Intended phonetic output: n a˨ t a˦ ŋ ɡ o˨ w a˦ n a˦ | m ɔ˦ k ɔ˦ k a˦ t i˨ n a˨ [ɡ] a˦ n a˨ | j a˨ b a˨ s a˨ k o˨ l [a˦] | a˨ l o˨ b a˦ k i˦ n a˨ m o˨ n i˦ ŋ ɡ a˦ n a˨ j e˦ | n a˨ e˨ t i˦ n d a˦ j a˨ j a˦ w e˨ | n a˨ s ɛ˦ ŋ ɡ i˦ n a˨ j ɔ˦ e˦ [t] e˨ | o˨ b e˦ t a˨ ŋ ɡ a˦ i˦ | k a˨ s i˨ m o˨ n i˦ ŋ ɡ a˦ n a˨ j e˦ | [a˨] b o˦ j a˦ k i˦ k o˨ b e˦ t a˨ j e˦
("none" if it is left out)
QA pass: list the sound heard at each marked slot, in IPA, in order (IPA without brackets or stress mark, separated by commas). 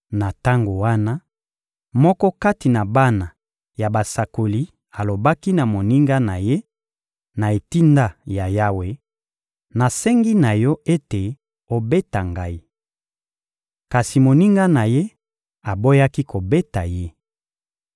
b, i˦, t, a˨